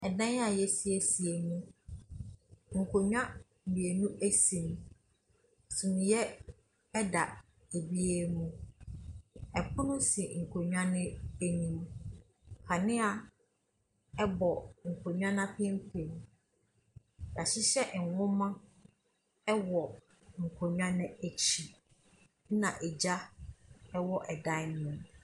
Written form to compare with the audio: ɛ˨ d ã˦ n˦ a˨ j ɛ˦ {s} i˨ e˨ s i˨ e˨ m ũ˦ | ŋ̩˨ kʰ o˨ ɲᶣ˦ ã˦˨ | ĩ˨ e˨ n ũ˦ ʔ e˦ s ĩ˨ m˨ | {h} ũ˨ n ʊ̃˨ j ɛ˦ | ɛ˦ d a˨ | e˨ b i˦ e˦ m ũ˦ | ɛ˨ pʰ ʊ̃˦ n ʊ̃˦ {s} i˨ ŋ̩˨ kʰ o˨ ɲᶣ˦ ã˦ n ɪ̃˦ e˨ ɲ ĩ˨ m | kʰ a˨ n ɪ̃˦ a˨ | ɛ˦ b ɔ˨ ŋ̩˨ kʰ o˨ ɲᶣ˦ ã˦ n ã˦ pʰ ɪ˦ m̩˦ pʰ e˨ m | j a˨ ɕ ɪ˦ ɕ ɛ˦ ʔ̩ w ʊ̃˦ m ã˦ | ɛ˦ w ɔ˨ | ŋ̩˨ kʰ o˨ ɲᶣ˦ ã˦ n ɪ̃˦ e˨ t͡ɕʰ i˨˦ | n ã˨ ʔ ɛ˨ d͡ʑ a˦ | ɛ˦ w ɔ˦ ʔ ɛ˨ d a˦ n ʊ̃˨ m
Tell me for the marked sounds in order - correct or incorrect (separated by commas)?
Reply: correct, incorrect, correct